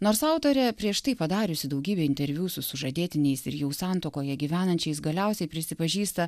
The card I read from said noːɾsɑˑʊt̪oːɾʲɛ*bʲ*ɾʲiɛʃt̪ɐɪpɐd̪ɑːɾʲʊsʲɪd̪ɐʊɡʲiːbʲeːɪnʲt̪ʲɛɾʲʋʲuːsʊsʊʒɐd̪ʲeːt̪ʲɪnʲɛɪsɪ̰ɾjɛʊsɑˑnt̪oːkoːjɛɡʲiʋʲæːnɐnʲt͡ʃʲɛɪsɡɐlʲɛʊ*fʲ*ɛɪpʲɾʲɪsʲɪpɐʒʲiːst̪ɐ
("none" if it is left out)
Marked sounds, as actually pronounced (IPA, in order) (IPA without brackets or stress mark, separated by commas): pʲ, sʲ